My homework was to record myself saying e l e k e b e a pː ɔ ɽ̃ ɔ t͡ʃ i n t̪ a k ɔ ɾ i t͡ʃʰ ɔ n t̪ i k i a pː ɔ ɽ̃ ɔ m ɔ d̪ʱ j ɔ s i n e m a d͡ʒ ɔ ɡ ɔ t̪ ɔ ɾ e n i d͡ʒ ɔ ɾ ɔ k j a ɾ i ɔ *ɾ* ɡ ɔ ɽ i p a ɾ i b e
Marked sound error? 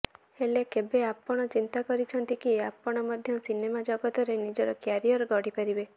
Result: no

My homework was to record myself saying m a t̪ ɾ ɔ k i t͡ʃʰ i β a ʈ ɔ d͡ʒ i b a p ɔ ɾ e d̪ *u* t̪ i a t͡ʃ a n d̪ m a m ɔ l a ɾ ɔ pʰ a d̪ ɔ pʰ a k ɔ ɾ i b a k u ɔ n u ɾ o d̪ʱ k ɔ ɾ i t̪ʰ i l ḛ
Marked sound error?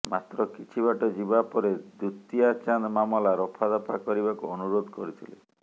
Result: no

